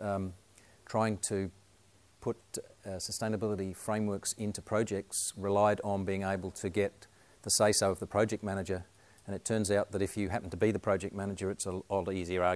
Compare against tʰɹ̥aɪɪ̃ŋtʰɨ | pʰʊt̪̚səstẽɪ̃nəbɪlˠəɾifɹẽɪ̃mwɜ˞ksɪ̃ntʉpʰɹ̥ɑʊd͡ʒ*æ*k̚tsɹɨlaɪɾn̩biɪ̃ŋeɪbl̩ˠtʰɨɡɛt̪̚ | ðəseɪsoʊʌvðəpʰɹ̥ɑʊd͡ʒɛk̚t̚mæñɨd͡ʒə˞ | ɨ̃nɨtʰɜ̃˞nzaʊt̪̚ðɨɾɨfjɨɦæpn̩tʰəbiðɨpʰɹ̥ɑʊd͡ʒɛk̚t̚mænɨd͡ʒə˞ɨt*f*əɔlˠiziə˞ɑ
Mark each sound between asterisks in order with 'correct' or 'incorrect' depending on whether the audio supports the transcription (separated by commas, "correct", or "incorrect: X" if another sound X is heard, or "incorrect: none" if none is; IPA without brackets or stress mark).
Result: incorrect: ɛ, incorrect: s